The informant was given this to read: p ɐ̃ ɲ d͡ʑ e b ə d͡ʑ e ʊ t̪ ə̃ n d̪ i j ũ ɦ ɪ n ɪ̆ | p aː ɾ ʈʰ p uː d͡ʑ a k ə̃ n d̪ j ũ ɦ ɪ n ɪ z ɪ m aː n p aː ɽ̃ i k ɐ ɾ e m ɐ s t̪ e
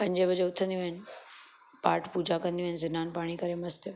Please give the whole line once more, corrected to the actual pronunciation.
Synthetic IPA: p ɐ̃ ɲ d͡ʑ e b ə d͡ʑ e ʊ t̪ʰ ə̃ n d̪ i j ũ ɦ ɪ n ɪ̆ | p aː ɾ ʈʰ p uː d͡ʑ a k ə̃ n d̪ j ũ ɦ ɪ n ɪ z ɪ n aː n p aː ɽ̃ i k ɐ ɾ e m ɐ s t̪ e